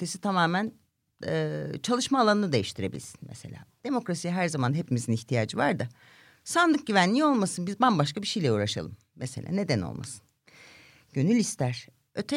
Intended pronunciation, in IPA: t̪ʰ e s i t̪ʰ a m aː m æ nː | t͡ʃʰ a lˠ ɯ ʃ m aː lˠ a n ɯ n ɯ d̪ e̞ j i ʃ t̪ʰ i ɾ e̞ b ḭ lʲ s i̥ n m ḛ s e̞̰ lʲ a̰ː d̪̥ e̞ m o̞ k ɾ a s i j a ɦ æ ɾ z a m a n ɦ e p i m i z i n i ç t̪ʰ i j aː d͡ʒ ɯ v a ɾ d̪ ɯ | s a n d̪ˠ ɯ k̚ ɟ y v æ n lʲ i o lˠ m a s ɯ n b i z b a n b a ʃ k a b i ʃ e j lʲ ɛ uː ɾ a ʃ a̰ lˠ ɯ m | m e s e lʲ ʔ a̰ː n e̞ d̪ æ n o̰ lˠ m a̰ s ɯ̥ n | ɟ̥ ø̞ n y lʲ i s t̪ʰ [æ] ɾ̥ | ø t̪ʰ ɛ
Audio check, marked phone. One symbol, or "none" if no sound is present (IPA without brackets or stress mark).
æ